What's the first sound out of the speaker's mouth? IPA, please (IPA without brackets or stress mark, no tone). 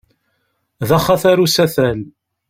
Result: ð